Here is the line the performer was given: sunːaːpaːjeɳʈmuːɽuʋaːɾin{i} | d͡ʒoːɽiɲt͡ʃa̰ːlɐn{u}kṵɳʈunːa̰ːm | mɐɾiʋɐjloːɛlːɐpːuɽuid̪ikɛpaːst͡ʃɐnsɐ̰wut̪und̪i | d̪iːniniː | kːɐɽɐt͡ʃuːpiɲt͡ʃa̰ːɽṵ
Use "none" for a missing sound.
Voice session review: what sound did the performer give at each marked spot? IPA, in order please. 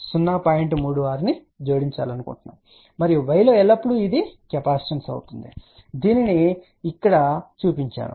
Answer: i, u

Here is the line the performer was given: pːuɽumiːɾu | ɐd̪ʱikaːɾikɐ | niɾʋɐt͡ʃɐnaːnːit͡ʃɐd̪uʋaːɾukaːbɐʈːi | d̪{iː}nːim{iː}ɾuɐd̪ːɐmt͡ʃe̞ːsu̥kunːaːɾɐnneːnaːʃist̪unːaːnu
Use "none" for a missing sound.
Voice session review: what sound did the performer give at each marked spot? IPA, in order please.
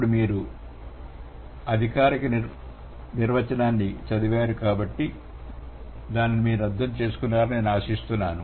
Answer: aː, iː

